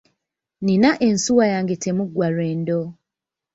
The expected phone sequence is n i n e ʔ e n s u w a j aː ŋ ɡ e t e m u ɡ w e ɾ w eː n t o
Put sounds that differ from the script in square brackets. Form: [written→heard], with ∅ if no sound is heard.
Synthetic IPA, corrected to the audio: n i n [e→a] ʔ e n s u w a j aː ŋ ɡ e t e m u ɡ w [e→a] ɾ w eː n [t→d] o